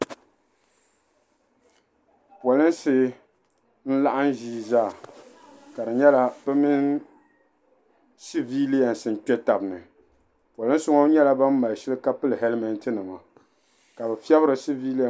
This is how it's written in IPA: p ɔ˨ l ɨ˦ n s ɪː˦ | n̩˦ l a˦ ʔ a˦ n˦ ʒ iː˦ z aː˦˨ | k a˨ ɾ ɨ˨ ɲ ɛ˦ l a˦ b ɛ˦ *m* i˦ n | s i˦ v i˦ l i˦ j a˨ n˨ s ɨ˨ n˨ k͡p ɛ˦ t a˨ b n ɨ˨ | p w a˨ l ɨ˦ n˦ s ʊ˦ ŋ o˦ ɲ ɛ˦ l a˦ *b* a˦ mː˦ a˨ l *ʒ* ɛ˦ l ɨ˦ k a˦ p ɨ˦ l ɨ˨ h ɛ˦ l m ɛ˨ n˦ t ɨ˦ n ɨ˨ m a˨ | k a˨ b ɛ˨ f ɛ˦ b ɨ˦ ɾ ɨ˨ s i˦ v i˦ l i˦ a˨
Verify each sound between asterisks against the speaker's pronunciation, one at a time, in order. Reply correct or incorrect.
correct, correct, incorrect

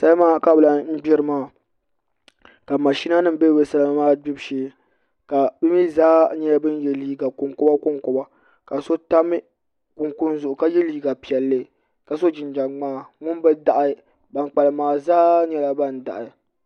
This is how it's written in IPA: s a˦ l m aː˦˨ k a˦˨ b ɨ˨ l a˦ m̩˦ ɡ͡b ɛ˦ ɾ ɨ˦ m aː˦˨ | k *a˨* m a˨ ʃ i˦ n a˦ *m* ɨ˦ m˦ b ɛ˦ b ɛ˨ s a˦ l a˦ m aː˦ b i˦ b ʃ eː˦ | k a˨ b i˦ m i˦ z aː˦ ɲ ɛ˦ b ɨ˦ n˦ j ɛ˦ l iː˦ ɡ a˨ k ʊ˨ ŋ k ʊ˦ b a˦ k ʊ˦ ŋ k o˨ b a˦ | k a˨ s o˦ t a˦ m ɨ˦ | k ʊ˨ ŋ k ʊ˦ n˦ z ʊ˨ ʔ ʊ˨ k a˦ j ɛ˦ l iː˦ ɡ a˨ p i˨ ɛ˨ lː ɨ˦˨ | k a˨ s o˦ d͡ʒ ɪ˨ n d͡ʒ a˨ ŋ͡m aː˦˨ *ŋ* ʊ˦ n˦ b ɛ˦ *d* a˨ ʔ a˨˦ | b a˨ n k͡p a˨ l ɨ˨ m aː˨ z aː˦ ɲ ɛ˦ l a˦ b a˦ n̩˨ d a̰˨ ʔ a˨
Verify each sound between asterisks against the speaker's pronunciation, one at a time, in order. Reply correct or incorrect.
correct, incorrect, correct, correct

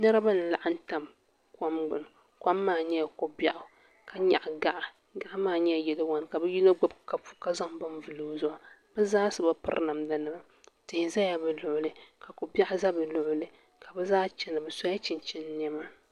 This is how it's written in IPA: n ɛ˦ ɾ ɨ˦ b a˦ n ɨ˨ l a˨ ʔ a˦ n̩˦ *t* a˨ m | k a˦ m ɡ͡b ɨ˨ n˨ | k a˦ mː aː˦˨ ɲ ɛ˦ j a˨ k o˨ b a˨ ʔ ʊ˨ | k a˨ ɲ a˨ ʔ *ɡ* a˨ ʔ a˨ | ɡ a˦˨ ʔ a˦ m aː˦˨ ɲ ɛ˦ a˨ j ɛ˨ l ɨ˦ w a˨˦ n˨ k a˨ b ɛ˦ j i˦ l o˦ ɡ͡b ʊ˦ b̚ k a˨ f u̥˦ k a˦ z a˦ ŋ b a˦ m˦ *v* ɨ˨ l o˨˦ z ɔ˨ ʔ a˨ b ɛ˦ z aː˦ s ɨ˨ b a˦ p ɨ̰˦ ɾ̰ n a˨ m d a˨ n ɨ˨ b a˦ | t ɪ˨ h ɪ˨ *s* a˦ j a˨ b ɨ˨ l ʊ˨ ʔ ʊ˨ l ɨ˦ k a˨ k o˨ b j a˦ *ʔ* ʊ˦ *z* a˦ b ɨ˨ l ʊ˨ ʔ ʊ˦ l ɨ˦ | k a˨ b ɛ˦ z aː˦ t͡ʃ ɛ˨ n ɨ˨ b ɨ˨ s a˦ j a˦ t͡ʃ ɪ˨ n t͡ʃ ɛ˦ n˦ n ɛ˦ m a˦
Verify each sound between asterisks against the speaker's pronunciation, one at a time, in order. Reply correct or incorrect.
correct, correct, correct, incorrect, correct, correct

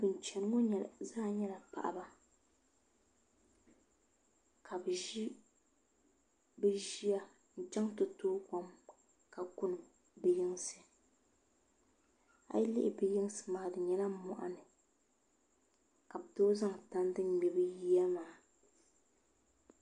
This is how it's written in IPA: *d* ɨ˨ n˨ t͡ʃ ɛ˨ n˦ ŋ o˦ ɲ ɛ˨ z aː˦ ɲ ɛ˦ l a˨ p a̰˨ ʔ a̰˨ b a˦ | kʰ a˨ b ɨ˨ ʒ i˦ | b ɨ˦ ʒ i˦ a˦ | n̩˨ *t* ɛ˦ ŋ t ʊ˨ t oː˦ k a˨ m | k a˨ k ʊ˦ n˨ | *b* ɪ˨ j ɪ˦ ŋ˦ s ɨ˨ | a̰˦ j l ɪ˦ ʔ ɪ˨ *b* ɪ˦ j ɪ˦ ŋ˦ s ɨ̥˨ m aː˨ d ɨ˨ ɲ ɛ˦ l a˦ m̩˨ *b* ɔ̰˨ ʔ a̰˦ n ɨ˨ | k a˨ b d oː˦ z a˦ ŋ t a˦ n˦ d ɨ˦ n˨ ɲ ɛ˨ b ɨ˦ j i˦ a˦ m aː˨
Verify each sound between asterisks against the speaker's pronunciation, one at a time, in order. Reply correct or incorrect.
incorrect, incorrect, correct, correct, incorrect

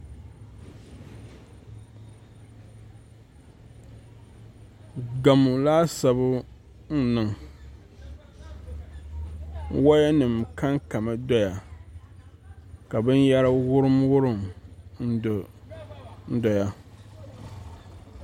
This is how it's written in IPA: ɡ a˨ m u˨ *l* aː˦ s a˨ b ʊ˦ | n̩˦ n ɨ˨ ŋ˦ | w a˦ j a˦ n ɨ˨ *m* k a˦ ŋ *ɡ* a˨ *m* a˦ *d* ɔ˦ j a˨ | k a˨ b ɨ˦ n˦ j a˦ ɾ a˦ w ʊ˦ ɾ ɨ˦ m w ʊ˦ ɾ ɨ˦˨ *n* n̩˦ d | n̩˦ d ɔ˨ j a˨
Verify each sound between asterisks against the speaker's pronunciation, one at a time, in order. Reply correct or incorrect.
correct, correct, incorrect, correct, correct, incorrect

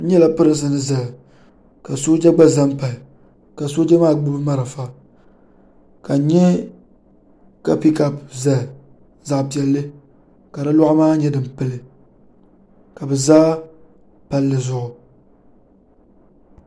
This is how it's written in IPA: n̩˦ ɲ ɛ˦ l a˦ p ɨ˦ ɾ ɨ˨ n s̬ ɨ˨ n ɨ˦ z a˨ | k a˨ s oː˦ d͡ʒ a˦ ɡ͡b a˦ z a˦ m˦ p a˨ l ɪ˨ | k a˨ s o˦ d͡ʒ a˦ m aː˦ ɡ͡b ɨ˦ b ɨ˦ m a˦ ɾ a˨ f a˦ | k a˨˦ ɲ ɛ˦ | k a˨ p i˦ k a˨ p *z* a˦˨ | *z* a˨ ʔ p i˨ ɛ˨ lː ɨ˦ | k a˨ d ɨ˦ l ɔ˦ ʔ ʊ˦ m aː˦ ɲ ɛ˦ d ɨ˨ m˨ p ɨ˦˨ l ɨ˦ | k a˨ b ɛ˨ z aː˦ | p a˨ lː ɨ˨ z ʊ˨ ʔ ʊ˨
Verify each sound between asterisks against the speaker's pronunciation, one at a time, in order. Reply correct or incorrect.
correct, correct

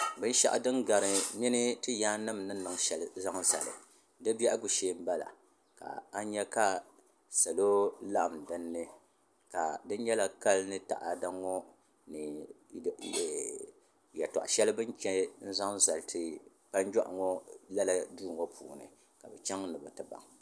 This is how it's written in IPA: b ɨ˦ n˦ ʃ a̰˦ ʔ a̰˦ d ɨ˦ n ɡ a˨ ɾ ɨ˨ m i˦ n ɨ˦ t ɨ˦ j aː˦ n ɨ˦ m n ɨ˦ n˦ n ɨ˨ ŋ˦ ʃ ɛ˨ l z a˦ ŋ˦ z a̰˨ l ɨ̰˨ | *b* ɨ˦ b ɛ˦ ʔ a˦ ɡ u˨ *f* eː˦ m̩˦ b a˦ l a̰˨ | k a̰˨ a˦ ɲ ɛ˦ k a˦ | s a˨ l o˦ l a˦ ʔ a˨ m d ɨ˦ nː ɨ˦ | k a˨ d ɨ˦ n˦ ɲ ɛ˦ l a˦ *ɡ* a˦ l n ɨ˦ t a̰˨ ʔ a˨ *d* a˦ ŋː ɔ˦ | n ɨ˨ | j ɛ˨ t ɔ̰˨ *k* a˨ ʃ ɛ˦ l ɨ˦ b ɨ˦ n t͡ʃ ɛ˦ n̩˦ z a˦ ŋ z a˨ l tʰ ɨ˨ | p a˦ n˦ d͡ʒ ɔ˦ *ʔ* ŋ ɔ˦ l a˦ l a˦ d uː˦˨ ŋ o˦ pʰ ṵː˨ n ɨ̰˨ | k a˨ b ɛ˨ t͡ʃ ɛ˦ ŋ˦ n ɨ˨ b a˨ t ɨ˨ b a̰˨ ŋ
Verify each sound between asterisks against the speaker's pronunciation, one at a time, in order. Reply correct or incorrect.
incorrect, incorrect, incorrect, correct, incorrect, correct

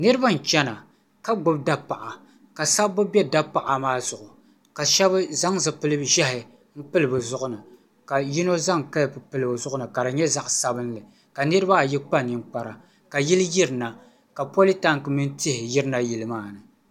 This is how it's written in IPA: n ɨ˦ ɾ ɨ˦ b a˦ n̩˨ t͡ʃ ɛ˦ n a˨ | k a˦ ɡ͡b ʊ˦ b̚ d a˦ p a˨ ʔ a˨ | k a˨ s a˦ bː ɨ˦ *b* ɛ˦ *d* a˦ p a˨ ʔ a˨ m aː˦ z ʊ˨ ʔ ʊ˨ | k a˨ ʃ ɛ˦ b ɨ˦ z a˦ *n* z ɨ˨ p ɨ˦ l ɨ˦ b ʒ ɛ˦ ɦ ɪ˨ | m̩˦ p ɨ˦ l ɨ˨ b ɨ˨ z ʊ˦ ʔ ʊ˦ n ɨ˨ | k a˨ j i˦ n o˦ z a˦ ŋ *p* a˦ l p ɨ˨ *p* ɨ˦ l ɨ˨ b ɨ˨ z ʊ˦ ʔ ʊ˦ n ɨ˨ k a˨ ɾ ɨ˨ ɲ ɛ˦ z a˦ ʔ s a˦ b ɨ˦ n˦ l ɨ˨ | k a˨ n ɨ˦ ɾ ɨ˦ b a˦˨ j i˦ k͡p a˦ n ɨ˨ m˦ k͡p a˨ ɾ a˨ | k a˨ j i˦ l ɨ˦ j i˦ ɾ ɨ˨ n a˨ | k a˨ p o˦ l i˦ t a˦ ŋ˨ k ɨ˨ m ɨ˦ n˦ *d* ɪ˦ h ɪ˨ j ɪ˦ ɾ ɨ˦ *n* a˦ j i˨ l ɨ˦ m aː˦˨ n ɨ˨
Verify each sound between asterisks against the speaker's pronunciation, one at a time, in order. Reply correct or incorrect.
correct, correct, incorrect, incorrect, correct, incorrect, correct

